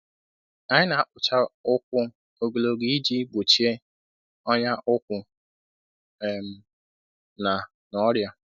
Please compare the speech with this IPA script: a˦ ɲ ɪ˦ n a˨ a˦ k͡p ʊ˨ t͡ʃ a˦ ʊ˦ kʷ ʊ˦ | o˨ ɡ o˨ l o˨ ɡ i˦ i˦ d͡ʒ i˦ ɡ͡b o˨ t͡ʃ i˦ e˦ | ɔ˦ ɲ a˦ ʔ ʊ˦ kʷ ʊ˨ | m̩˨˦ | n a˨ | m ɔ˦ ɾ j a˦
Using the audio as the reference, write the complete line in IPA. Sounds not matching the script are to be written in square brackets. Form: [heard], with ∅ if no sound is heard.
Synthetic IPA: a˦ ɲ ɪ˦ n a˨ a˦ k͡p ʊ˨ t͡ʃ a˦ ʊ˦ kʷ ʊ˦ | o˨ ɡ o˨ l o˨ ɡ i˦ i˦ d͡ʒ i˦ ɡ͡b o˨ t͡ʃ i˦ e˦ | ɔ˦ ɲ a˦ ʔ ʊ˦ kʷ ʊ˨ | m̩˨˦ | n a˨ | [n] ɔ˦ ɾ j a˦